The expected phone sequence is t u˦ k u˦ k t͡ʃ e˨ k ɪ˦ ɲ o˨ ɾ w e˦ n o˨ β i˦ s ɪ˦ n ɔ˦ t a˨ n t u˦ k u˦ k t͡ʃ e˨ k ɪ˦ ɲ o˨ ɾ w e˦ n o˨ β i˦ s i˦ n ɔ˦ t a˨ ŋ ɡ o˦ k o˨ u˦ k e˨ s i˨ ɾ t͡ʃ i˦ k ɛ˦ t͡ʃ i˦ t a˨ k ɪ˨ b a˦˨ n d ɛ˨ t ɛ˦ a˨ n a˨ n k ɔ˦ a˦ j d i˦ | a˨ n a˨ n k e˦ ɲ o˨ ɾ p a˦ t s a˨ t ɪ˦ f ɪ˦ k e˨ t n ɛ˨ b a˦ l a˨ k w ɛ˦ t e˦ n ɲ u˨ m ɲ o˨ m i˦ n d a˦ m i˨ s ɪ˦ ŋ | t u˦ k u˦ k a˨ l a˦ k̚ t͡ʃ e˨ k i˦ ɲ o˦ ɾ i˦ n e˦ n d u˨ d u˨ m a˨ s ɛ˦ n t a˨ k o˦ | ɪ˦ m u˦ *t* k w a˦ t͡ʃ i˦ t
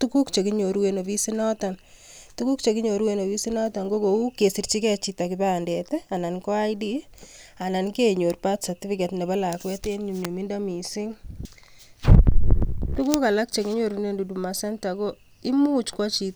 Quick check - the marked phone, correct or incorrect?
incorrect